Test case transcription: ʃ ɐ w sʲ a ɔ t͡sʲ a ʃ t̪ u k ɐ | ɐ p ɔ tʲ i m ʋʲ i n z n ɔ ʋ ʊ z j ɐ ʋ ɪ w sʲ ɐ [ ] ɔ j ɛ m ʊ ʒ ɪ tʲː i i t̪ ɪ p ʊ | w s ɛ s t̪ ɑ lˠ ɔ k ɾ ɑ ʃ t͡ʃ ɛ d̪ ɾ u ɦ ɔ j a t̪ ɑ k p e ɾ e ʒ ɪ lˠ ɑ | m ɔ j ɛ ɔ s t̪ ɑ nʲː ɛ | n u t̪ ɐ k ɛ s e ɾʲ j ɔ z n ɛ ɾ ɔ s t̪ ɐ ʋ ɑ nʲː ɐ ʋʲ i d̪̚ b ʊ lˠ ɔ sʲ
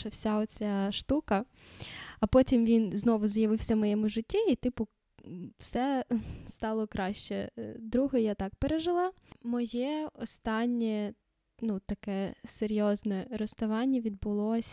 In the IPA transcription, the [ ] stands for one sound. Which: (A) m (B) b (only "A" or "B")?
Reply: A